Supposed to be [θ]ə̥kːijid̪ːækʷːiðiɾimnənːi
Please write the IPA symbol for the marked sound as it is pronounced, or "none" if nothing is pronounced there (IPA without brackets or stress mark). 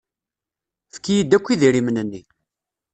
f